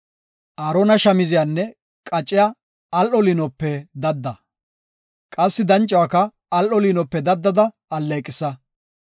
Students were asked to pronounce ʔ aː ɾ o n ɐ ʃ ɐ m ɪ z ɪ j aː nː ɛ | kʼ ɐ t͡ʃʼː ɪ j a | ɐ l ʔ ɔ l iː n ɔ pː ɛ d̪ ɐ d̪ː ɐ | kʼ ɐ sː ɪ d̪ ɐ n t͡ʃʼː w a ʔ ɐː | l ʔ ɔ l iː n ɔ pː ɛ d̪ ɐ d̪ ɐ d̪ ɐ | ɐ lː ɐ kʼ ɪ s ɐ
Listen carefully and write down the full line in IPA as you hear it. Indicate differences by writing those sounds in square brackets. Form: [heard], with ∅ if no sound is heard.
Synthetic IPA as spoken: ʔ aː ɾ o n ɐ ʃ ɐ m ɪ z ɪ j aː nː ɛ | kʼ ɐ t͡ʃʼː ɪ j a | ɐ l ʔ ɔ l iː n ɔ pː ɛ d̪ ɐ d̪ː ɐ | kʼ ɐ sː ɪ d̪ ɐ n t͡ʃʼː w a [k] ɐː | l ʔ ɔ l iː n ɔ pː ɛ d̪ ɐ [d̪ː] ɐ d̪ ɐ | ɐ lː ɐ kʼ ɪ s ɐ